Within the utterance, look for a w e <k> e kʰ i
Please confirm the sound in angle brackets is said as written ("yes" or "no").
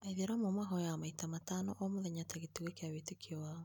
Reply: no